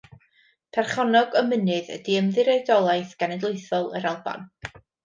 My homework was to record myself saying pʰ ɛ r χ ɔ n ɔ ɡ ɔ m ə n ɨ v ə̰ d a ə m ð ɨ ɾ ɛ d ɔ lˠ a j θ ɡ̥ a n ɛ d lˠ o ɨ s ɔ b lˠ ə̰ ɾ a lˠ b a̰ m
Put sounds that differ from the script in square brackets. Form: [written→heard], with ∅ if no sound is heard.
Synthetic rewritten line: pʰ ɛ r χ ɔ n ɔ ɡ ɔ m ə n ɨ [v→ð] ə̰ d [a→i] ə m ð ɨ ɾ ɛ d ɔ lˠ a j θ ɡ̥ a n ɛ d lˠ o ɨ [s→θ] ɔ [b→∅] lˠ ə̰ ɾ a lˠ b a̰ [m→n]